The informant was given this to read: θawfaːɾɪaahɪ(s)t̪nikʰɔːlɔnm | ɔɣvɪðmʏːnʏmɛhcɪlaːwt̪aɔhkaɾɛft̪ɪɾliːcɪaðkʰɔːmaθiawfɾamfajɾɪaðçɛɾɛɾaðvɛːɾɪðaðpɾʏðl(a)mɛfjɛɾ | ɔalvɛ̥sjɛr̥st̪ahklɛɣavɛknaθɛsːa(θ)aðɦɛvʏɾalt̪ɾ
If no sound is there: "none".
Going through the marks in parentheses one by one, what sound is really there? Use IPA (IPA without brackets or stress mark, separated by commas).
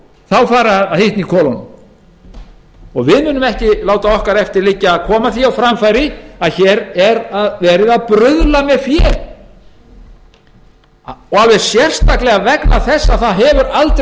h, a, θ